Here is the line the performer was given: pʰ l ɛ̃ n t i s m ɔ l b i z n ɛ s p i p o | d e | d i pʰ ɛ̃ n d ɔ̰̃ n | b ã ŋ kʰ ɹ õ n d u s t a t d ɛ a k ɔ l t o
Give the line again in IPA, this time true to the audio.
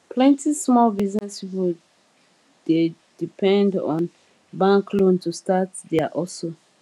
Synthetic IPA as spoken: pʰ l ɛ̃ n t i s m ɔ l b i z n ɛ s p i p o | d e | d i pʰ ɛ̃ n d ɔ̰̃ n | b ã ŋ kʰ l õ n t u s t a t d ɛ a ʔ ɔ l s o